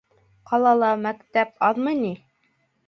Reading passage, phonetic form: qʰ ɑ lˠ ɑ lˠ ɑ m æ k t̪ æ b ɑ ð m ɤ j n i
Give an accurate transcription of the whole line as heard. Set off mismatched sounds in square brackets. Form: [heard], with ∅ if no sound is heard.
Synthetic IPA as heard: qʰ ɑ lˠ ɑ lˠ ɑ m æ k t̪ æ [p] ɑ ð m ɤ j n i